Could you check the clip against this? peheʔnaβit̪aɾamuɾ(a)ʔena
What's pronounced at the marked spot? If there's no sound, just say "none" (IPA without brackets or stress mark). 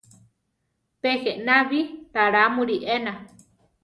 i